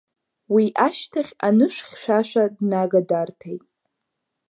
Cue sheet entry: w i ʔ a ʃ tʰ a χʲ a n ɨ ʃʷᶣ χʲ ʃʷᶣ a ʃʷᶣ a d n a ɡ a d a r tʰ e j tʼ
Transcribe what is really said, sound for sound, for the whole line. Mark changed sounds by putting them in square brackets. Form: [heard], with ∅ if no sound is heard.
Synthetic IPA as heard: w i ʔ a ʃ tʰ a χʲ a n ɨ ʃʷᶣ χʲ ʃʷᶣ a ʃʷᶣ a d n a ɡ a d a r tʰ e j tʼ

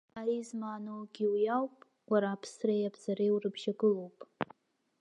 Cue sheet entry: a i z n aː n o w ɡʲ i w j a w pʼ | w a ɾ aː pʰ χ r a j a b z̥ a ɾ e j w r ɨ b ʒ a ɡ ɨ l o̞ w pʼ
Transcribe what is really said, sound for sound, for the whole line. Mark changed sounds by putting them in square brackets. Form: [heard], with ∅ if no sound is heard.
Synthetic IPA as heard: a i z [m] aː n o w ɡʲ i w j a w pʼ | w a ɾ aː pʰ [s] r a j a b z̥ a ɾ e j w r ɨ b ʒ a ɡ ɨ l o̞ w pʼ

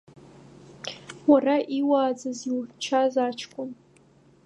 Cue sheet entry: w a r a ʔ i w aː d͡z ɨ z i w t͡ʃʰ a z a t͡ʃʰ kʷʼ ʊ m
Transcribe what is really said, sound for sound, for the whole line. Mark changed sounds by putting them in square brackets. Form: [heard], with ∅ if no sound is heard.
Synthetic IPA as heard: w a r a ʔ i w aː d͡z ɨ z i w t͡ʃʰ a z a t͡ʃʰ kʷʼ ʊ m

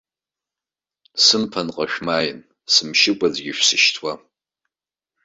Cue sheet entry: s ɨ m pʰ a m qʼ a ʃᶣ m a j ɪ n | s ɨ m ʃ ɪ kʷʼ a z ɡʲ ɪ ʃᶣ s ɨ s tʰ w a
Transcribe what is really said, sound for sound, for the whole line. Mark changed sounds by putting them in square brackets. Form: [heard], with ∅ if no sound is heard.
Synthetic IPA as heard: s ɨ m pʰ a [n] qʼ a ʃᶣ m a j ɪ n | s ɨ m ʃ ɪ kʷʼ a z ɡʲ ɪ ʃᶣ s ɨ [ʃ] tʰ w a

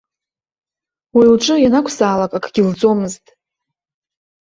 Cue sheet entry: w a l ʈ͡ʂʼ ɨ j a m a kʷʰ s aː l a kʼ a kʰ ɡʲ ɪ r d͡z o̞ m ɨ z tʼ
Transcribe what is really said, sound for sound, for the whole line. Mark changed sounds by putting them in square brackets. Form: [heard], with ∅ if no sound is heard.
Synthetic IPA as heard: w [i] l ʈ͡ʂʼ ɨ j a [n] a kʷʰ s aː l a kʼ a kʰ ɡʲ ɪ [l] d͡z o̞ m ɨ z tʼ

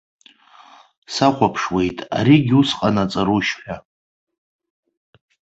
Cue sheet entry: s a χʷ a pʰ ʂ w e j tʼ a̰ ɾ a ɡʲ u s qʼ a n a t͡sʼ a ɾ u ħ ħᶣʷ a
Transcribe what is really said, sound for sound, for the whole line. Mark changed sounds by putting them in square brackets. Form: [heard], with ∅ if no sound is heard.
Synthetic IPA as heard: s a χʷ a pʰ ʂ w e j tʼ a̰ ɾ [i] ɡʲ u s qʼ a n a t͡sʼ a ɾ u [ʃ] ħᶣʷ a

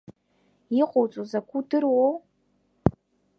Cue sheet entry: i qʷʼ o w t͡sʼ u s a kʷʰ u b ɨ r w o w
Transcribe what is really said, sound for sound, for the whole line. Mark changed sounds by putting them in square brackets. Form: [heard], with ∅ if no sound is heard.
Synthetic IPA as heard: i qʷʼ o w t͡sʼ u [z] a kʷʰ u [d] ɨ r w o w

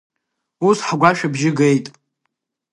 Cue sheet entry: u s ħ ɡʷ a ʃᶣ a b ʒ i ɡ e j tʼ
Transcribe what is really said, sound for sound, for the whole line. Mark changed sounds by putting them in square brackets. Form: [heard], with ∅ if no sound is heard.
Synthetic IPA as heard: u s ħ ɡʷ a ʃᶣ a b ʒ [ɪ] ɡ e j tʼ

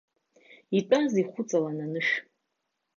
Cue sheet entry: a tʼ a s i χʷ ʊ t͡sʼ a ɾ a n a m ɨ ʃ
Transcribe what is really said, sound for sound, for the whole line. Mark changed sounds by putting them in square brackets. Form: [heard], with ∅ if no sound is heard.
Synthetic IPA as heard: [i] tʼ a [z] i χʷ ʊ t͡sʼ a [l] a n a [n] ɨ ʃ

